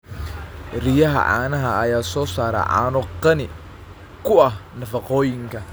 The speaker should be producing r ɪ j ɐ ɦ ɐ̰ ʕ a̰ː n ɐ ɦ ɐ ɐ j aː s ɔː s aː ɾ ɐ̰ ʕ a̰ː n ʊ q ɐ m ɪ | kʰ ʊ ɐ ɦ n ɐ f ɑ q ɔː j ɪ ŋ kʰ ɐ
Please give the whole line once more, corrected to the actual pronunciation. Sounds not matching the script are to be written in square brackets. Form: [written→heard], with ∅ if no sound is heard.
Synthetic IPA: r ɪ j ɐ ɦ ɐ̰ ʕ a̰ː n ɐ ɦ ɐ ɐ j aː s ɔː s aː ɾ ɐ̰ ʕ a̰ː n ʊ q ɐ [m→n] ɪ | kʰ ʊ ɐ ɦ n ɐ f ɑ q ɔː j ɪ ŋ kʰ ɐ